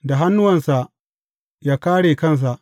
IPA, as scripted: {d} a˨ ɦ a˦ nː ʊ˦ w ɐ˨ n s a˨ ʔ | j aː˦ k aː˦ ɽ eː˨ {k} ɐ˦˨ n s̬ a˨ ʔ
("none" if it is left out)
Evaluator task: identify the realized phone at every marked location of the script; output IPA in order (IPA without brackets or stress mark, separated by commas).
d, k